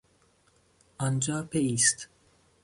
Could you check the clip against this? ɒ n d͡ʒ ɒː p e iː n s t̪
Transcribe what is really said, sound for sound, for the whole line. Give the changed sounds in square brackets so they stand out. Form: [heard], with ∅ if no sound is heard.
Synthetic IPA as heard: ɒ n d͡ʒ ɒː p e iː [∅] s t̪